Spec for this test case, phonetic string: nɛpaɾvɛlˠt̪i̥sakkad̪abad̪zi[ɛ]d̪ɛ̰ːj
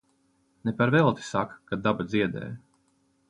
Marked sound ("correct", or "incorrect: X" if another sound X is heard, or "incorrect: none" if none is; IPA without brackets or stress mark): correct